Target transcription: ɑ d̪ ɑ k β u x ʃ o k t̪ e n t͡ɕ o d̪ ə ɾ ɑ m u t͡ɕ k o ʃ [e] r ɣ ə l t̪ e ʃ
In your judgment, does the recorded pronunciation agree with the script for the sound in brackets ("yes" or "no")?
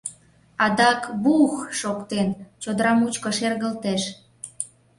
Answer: yes